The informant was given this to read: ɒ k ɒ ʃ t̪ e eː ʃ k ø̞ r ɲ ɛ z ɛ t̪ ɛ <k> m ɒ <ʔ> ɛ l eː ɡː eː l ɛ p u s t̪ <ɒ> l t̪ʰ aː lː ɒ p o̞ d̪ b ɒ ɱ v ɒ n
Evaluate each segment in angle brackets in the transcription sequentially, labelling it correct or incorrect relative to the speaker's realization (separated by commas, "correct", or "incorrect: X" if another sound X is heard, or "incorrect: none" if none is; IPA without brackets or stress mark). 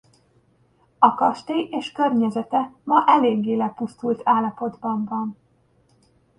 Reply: incorrect: none, correct, incorrect: u